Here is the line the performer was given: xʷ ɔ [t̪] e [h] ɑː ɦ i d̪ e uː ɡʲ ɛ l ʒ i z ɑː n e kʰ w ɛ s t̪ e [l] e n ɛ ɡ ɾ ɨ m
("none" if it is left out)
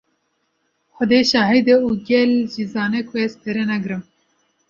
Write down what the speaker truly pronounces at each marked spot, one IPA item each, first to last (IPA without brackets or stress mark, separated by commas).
d̪, ʃ, ɾ